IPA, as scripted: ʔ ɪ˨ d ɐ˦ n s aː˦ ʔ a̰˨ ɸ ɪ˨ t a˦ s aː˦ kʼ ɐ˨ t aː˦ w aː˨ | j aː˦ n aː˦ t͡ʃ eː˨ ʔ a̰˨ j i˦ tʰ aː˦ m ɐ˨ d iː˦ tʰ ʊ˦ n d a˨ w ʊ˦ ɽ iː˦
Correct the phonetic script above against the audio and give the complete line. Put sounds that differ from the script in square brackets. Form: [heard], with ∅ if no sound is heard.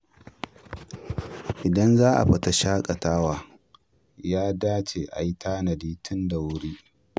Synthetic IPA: ʔ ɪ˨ d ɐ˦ n [z] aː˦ ʔ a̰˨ ɸ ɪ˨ t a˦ [ʃ] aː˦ kʼ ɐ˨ t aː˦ w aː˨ | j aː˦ [d] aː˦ t͡ʃ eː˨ ʔ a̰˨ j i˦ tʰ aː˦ [n] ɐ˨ d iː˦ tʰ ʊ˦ n d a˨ w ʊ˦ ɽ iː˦